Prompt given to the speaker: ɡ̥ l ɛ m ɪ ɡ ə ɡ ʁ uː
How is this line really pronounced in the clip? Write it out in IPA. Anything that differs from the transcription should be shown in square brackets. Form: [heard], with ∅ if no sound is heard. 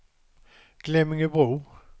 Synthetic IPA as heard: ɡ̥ l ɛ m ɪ [ŋ] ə [b] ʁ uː

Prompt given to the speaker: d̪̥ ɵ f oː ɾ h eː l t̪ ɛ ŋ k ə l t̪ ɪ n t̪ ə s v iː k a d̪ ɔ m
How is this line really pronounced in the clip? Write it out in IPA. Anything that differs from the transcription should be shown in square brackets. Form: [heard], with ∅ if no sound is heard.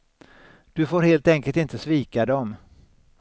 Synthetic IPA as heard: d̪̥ ɵ f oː ɾ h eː l t̪ ɛ ŋ k ə l t̪ ɪ n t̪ ə s v iː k a d̪ ɔ m

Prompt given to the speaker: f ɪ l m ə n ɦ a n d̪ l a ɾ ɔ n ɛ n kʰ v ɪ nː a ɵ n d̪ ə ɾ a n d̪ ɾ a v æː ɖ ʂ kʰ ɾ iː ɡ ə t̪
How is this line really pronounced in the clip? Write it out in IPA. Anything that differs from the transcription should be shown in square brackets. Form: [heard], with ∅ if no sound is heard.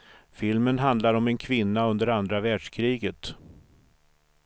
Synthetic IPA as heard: f ɪ l m ə n ɦ a n d̪ l a ɾ ɔ [m] ɛ n kʰ v ɪ nː a ɵ n d̪ ə ɾ a n d̪ ɾ a v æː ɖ ʂ kʰ ɾ iː ɡ ə t̪

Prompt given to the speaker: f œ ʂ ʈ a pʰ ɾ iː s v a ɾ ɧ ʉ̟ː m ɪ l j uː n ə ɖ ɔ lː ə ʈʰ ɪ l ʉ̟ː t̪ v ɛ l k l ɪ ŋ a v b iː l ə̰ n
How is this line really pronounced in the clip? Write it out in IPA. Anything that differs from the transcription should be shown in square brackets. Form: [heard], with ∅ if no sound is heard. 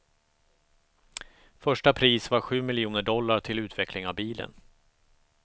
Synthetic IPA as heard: f œ ʂ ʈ a pʰ ɾ iː s v a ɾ ɧ ʉ̟ː m ɪ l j uː n ə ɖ ɔ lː [a] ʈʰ ɪ l ʉ̟ː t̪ v ɛ [∅] k l ɪ ŋ a v b iː l ə̰ n

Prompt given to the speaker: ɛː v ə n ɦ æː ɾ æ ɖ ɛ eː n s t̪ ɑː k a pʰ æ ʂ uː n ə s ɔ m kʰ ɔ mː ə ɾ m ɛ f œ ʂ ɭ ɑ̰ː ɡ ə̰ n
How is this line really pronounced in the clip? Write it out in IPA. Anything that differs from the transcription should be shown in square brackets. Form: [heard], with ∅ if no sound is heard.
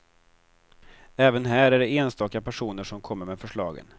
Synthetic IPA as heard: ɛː v ə n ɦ æː ɾ æ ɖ ɛ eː n s t̪ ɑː k a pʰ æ ʂ uː n ə [ʂ] ɔ m kʰ ɔ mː ə ɾ m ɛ f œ ʂ ɭ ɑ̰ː ɡ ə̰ n

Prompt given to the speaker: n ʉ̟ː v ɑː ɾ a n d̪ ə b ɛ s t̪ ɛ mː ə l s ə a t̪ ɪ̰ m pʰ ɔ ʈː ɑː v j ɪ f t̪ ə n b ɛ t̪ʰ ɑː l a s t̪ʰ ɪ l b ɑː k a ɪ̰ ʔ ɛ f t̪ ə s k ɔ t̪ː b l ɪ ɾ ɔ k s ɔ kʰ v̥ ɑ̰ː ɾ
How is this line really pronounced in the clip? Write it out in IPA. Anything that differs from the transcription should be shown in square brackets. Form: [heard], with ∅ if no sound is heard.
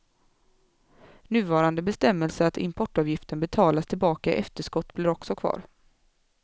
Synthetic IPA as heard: n ʉ̟ː v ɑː ɾ a n d̪ ə b ɛ s t̪ ɛ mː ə l s ə a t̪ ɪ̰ m pʰ ɔ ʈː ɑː v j ɪ f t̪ ə n b ɛ t̪ʰ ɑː l a s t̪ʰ ɪ l b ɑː k a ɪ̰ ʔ ɛ f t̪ ə [ʂ] k ɔ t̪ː b l ɪ ɾ ɔ k s ɔ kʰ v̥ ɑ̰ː ɾ

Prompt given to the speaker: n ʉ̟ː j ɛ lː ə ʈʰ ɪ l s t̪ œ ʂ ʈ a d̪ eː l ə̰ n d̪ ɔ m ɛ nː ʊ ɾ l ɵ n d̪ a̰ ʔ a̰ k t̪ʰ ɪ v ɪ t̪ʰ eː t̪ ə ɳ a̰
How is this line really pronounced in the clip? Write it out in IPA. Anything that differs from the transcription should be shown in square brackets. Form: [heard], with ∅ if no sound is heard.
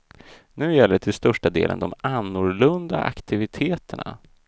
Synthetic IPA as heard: n ʉ̟ː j ɛ lː ə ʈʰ ɪ l s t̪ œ ʂ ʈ a d̪ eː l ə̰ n d̪ ɔ m [a] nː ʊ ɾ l ɵ n d̪ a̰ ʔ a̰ k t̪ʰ ɪ v ɪ t̪ʰ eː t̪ ə ɳ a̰

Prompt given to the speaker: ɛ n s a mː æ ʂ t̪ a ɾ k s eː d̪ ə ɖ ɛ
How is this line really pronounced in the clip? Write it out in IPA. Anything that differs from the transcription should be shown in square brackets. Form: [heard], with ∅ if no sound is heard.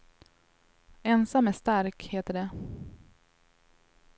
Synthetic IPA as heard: ɛ n s a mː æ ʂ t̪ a ɾ k [h] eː [t̪] ə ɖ ɛ

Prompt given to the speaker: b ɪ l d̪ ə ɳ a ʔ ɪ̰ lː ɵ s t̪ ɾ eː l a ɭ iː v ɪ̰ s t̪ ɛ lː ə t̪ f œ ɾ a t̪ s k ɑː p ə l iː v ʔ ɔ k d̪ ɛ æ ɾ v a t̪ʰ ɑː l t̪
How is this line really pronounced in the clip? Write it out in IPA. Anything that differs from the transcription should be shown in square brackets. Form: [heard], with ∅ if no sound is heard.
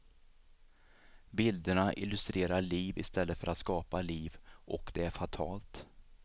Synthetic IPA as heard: b ɪ l d̪ ə ɳ a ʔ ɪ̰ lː ɵ s t̪ ɾ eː [ɾ] a ɭ iː v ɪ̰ s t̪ ɛ lː ə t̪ f œ ɾ a t̪ s k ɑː p [a] l iː v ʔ ɔ k d̪ ɛ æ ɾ [f] a t̪ʰ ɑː l t̪

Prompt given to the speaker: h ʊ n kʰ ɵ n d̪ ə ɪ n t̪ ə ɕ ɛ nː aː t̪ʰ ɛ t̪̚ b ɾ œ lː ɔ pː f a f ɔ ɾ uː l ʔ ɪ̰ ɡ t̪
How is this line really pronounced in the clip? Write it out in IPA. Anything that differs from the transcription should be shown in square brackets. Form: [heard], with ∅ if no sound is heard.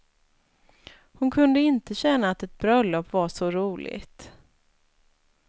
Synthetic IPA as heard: h ʊ n kʰ ɵ n d̪ ə ɪ n t̪ ə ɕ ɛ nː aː [t̪] ɛ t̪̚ b ɾ œ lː ɔ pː [v] a [ʂ] ɔ ɾ uː l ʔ ɪ̰ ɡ t̪

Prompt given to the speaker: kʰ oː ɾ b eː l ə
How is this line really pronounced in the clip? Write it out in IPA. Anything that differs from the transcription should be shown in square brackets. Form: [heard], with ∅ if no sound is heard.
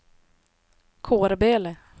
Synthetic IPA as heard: kʰ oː ɾ b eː l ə

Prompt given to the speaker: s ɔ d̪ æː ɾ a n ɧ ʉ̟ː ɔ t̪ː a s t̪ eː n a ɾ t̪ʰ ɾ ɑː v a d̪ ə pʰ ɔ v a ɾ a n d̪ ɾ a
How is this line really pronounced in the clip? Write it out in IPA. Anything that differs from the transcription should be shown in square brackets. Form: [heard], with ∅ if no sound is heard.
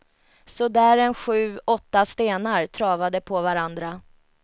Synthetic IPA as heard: s ɔ d̪ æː ɾ [ɛ] n ɧ ʉ̟ː ɔ t̪ː a s t̪ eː n a ɾ t̪ʰ ɾ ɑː v a d̪ ə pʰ ɔ v a ɾ a n d̪ ɾ a

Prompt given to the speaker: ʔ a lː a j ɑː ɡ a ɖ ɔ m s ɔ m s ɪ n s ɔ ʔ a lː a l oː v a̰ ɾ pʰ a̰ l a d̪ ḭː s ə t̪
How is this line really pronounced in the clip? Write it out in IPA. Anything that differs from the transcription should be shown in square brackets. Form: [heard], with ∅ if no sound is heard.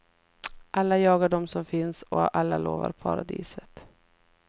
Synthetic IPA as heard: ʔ a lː a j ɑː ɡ a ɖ ɔ m s ɔ m [f] ɪ n s ɔ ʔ a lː a l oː v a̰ ɾ pʰ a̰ [ɾ] a d̪ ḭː s ə t̪

